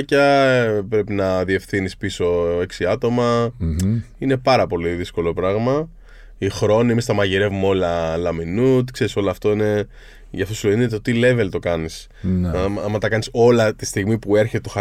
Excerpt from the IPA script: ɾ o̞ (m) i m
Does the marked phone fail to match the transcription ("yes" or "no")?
yes